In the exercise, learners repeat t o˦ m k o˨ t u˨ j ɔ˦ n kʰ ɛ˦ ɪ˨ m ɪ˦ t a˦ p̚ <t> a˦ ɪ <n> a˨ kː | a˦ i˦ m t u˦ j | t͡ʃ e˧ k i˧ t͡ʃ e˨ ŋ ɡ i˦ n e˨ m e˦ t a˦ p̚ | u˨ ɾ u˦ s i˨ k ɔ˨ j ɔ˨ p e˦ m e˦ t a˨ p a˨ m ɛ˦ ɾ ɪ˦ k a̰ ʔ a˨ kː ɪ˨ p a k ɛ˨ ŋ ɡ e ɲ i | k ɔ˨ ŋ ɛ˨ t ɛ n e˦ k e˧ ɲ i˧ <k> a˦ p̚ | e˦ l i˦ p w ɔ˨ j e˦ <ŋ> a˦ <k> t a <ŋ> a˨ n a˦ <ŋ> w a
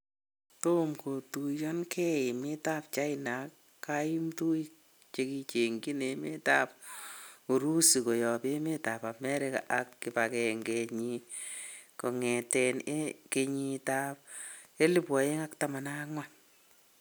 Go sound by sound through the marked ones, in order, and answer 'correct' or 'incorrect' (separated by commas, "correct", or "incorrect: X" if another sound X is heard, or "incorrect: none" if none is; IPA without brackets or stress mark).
incorrect: t͡ʃ, correct, incorrect: t, correct, correct, incorrect: m, correct